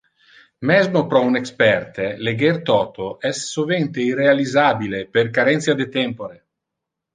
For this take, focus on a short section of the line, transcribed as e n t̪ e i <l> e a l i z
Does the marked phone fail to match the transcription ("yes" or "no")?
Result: yes